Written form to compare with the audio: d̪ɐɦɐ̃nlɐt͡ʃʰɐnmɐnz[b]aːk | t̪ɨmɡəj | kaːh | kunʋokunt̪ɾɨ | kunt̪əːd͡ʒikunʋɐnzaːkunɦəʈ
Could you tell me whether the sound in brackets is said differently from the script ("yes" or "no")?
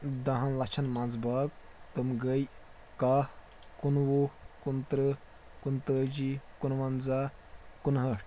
no